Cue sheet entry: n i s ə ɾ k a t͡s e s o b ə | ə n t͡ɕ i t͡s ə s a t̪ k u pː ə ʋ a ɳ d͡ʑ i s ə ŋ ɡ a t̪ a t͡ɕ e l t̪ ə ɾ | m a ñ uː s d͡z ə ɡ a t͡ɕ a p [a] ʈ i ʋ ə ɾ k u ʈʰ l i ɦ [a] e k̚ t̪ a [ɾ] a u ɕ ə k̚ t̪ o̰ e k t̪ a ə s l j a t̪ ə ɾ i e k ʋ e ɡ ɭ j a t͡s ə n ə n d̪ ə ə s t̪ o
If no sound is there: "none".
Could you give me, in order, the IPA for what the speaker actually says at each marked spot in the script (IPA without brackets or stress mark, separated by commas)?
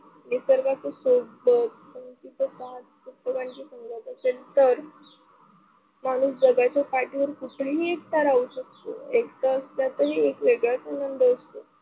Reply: a, i, ɾ